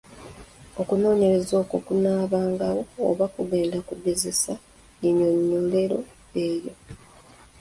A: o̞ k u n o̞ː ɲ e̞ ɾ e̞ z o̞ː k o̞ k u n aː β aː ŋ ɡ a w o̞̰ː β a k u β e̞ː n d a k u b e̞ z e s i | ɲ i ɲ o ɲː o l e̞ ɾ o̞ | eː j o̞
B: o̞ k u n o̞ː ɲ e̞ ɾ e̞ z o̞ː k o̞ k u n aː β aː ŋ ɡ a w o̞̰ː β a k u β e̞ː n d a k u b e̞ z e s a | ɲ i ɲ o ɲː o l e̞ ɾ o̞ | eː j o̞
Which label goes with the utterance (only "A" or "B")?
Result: B